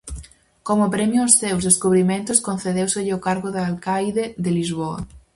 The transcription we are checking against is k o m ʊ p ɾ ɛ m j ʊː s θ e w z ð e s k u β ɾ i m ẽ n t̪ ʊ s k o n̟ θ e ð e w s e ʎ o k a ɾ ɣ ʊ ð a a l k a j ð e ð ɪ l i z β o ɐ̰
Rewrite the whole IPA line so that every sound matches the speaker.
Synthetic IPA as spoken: k o m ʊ p ɾ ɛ m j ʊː s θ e w z ð e s k u β ɾ i m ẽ n t̪ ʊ s k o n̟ θ e ð e w s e ʎ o k a ɾ ɣ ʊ ð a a l k a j ð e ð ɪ l i z β o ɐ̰